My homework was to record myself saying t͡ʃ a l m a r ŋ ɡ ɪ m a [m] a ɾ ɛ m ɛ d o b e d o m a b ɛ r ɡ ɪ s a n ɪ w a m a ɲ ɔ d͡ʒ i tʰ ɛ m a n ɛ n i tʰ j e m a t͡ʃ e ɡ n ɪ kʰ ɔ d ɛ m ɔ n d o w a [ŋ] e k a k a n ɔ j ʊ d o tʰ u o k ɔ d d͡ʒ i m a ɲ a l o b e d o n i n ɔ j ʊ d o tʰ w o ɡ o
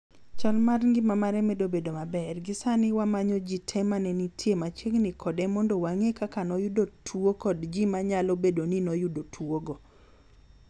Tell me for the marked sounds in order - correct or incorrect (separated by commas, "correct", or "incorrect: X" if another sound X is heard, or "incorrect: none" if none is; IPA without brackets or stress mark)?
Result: correct, correct